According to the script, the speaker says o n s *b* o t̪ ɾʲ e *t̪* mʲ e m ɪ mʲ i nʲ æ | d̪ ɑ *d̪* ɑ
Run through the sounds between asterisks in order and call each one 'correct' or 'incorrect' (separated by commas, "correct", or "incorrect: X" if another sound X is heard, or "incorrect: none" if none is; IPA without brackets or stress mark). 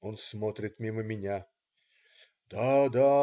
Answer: incorrect: m, correct, correct